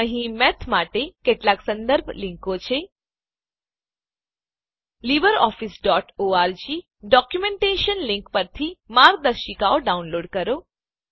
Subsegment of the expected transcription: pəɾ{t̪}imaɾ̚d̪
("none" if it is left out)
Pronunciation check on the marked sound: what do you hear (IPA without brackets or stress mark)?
t̪ʰ